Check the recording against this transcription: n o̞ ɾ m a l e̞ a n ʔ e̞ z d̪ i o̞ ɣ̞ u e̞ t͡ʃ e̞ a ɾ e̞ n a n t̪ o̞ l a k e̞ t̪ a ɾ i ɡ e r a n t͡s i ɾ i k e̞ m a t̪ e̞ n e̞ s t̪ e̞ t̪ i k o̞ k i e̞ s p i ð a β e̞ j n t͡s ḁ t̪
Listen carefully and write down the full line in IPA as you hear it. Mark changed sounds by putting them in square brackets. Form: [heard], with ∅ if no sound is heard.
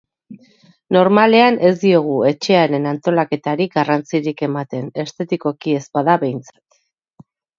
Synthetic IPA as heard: n o̞ ɾ m a l e̞ a n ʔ e̞ z d̪ i o̞ ɣ̞ u e̞ t͡ʃ e̞ a ɾ e̞ n a n t̪ o̞ l a k e̞ t̪ a ɾ i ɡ [a] r a n t͡s i ɾ i k e̞ m a t̪ e̞ n e̞ s t̪ e̞ t̪ i k o̞ k i e̞ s p [a] ð a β e̞ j n t͡s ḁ t̪